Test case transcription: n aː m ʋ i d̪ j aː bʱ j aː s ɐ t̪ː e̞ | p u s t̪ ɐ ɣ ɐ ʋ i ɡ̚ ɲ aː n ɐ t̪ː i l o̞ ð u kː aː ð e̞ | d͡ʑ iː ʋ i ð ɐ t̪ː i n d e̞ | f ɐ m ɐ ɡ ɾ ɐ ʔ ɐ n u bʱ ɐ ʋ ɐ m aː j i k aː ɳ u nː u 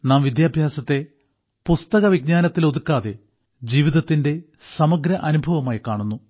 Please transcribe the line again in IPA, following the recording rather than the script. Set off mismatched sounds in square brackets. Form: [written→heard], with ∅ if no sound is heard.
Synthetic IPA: n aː m ʋ i d̪ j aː bʱ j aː s ɐ t̪ː e̞ | p u s t̪ ɐ ɣ ɐ ʋ i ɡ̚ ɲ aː n ɐ t̪ː i l o̞ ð u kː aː ð e̞ | d͡ʑ iː ʋ i ð ɐ t̪ː i n d e̞ | [f→s] ɐ m ɐ ɡ ɾ ɐ ʔ ɐ n u bʱ ɐ ʋ ɐ m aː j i k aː ɳ u nː u

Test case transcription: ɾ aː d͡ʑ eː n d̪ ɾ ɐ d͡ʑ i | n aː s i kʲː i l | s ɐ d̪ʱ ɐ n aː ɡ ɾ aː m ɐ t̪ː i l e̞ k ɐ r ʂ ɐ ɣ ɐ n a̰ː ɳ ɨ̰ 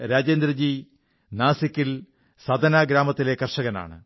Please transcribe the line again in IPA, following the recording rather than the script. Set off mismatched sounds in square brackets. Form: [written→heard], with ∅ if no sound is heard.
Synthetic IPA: ɾ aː d͡ʑ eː n d̪ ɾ ɐ d͡ʑ i | n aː s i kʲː i l | s ɐ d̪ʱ ɐ n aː ɡ ɾ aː m ɐ t̪ː i l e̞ k ɐ r ʂ ɐ ɣ ɐ n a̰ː ɳ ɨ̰

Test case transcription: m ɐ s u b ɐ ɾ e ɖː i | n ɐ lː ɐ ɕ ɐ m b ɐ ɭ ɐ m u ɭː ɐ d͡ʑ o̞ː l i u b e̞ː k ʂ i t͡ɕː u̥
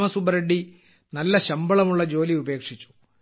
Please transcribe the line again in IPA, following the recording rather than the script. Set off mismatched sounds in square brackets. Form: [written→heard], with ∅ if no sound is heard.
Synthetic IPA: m ɐ s u b ɐ ɾ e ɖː i | n ɐ lː ɐ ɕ ɐ m b ɐ ɭ ɐ m u ɭː ɐ d͡ʑ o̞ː l i u b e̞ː k ʂ i t͡ɕː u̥

